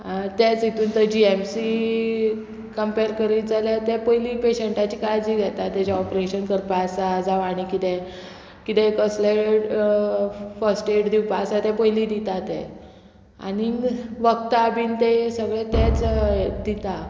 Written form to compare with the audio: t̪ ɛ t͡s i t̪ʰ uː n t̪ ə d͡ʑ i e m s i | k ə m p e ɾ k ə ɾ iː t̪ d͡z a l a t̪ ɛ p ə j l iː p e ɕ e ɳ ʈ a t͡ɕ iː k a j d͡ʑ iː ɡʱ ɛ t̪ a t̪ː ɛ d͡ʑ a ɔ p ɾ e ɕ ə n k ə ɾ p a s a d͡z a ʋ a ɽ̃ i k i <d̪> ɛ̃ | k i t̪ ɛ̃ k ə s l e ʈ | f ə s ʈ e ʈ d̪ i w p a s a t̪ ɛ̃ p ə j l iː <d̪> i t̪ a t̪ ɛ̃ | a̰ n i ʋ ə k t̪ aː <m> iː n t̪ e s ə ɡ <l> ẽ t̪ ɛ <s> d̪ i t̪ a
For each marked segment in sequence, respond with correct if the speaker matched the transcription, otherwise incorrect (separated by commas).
incorrect, correct, incorrect, incorrect, incorrect